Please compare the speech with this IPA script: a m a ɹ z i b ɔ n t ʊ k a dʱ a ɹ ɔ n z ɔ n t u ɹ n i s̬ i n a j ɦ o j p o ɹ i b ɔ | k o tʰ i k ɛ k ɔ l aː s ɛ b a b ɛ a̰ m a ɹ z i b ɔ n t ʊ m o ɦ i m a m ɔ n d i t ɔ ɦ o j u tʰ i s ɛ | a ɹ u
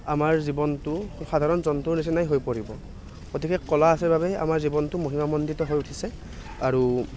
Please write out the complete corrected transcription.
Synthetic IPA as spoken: a m a ɹ z i b ɔ n t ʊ x a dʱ a ɹ ɔ n z ɔ n t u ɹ n i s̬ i n a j ɦ o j p o ɹ i b ɔ | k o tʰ i k ɛ k ɔ l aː s ɛ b a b ɛ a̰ m a ɹ z i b ɔ n t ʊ m o ɦ i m a m ɔ n d i t ɔ ɦ o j u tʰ i s ɛ | a ɹ u